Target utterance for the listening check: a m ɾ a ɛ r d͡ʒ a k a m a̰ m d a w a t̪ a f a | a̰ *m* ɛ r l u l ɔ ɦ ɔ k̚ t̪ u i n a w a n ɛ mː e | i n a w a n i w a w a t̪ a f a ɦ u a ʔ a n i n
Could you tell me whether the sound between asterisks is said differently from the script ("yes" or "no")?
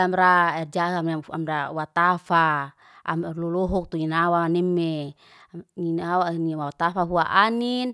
no